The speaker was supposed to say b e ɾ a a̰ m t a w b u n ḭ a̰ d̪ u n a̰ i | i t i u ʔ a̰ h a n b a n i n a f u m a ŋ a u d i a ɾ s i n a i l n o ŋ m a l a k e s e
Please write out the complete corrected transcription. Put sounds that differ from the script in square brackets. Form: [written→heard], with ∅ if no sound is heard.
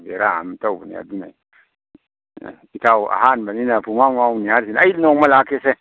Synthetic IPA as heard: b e ɾ a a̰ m t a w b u n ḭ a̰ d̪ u n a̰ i | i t [i→a] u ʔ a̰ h a n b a n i n a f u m a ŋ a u [d→n] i a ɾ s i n a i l n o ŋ m a l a k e s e